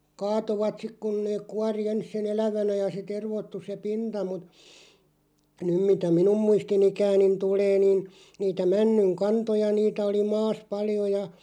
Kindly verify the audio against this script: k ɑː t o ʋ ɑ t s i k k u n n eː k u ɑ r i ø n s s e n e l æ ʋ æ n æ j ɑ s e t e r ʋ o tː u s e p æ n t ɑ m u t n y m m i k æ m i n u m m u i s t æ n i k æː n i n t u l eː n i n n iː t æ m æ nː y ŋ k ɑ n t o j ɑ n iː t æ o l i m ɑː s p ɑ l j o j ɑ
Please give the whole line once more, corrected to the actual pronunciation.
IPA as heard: k ɑː t o ʋ ɑ t s i k k u n n eː k u ɑ r i e n s s e n e l æ ʋ æ n æ j ɑ s e t e r ʋ o tː u s e p i n t ɑ m u t n y m m i t æ m i n u m m u i s t i n i k æː n i n t u l eː n i n n iː t æ m æ nː y ŋ k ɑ n t o j ɑ n iː t æ o l i m ɑː s p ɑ l j o j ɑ